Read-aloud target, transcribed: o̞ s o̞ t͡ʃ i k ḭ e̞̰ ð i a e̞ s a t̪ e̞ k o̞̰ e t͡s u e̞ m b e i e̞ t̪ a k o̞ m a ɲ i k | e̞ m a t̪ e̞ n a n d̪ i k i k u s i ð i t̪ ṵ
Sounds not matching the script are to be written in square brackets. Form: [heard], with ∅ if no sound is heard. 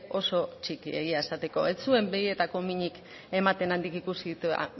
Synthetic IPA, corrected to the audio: o̞ s o̞ t͡ʃ i k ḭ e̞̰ [ɣ] i a e̞ s a t̪ e̞ k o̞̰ e t͡s u e̞ m b e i e̞ t̪ a k o̞ m [i] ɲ i k | e̞ m a t̪ e̞ n a n d̪ i k i k u s i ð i t̪ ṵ

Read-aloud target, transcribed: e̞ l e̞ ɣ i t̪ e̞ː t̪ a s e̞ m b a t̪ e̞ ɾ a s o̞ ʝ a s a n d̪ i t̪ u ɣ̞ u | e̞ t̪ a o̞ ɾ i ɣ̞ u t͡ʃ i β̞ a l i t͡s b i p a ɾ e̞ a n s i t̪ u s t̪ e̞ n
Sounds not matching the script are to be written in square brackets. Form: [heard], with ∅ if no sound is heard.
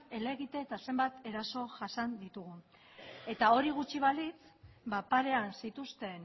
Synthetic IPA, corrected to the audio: e̞ l e̞ ɣ i t̪ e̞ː t̪ a s e̞ m b a t̪ e̞ ɾ a s o̞ ʝ a s a n d̪ i t̪ u ɣ̞ u | e̞ t̪ a o̞ ɾ i ɣ̞ u t͡ʃ i β̞ a l i t͡s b [a] p a ɾ e̞ a n s i t̪ u s t̪ e̞ n

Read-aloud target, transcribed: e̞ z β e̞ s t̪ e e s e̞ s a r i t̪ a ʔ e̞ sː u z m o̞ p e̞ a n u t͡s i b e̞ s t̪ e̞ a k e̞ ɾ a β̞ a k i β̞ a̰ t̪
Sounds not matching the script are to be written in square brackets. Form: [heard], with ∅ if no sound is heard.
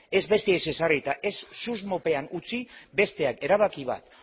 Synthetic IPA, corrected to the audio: e̞ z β e̞ s t̪ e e s e̞ s a r i t̪ a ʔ e̞ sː u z m o̞ p e̞ a n u t͡s i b e̞ s t̪ e̞ a k e̞ ɾ a β̞ a k i β̞ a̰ t̪

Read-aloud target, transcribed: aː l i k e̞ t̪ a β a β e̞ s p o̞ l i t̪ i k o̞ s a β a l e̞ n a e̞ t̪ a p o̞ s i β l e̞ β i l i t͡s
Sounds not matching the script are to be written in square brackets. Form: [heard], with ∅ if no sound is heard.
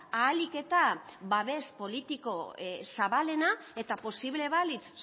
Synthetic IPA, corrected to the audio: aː l i k e̞ t̪ a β a β e̞ s p o̞ l i t̪ i k o̞ s a β a l e̞ n a e̞ t̪ a p o̞ s i β l e̞ β [a] l i t͡s

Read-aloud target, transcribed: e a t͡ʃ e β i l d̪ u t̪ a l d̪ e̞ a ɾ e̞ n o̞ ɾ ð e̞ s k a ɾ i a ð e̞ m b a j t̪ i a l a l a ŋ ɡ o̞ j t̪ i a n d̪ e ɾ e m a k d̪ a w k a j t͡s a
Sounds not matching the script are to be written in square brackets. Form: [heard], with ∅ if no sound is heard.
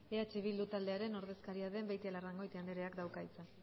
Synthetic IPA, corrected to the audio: e a t͡ʃ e β i l d̪ u t̪ a l d̪ e̞ a ɾ e̞ n o̞ ɾ ð e̞ s k a ɾ i a ð e̞ m b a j t̪ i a l a [r] a ŋ ɡ o̞ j t̪ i a n d̪ e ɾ e [∅] a k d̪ a w k a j t͡s a

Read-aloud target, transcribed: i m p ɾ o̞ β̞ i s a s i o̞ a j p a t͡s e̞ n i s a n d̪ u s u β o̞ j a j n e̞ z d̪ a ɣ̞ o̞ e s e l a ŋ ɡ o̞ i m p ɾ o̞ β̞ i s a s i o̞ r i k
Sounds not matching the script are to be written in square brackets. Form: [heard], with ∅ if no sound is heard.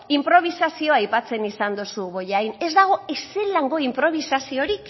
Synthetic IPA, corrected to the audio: i m p ɾ o̞ β̞ i s a s i o̞ a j p a t͡s e̞ n i s a n d̪ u s u β o̞ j a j n e̞ z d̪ a ɣ̞ o̞ e s e l a ŋ ɡ o̞ i m p ɾ o̞ β̞ i s a s i o̞ [ɾ] i k

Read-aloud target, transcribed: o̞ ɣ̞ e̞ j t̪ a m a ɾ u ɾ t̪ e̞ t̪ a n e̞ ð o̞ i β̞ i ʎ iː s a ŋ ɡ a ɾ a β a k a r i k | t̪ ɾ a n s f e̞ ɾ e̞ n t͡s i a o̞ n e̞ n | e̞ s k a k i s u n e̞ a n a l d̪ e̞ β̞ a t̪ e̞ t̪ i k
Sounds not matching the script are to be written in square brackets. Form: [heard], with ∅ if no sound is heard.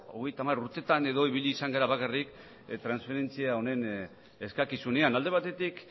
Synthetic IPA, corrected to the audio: o̞ ɣ̞ e̞ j t̪ a m a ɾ u ɾ t̪ e̞ t̪ a n e̞ ð o̞ i β̞ i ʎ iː s a ŋ ɡ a ɾ a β a k a r i k | t̪ ɾ a n s f e̞ ɾ e̞ n t͡s i a o̞ n e̞ n | e̞ s k a k i s u n e̞ a n a l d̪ e̞ β̞ a t̪ e̞ t̪ i k

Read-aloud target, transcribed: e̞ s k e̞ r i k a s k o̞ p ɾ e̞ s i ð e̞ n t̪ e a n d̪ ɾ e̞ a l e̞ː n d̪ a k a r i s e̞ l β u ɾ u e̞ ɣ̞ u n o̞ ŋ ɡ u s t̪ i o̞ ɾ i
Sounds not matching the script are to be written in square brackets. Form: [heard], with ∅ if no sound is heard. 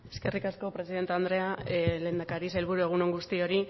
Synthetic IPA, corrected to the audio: e̞ s k e̞ r i k a s k o̞ p ɾ e̞ s i ð e̞ n t̪ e a n d̪ ɾ e̞ a l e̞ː n d̪ a k a [ɾ] i s e̞ l β u ɾ u e̞ ɣ̞ u n o̞ ŋ ɡ u s t̪ i o̞ ɾ i

